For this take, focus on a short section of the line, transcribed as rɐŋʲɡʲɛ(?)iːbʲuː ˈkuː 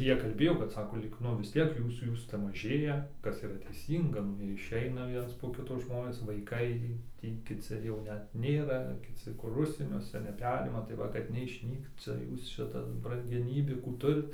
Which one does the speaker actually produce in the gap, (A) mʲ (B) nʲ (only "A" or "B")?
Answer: B